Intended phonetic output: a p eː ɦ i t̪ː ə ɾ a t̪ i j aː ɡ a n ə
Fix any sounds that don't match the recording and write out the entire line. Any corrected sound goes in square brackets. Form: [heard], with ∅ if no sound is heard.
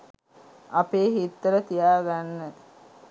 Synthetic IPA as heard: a p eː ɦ i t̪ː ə ɾ [ə] t̪ i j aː ɡ a [nː] ə